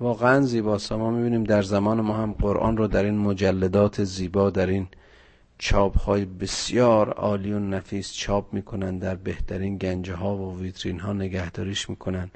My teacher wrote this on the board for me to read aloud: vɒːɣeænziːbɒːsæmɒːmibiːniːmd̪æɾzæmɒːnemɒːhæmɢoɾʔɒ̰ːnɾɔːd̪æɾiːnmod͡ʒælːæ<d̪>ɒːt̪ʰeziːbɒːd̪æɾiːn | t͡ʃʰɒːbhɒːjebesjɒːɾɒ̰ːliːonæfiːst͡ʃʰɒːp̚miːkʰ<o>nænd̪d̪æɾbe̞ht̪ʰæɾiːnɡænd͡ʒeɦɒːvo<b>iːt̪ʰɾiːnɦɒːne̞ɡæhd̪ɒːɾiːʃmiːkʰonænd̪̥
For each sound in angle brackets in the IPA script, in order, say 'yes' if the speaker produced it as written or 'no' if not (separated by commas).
yes, yes, no